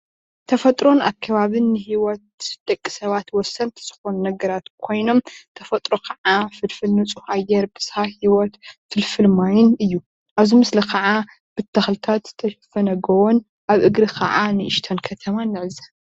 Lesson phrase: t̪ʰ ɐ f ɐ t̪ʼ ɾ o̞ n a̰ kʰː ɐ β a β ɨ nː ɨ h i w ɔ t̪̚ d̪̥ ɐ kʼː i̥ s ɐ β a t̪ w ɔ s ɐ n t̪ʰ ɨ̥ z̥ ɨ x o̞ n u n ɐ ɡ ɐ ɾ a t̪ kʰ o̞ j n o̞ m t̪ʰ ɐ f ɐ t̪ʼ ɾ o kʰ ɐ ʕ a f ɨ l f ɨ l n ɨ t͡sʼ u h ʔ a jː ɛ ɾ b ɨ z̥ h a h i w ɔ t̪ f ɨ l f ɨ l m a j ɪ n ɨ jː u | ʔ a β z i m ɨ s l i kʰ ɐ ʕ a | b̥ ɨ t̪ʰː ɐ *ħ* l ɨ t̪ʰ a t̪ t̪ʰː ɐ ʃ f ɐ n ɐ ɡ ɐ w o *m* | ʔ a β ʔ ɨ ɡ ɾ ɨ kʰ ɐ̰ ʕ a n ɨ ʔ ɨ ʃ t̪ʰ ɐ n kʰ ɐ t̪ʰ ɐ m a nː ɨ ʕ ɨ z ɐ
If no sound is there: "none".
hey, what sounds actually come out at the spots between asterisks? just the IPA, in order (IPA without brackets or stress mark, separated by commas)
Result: x, n